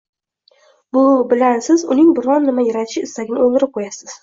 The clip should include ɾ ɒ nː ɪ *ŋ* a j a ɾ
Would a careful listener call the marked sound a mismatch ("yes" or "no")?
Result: yes